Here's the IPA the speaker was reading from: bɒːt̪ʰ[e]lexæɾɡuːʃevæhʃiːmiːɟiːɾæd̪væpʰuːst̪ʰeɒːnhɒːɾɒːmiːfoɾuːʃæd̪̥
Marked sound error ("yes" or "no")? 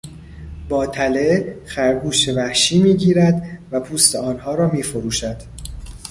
yes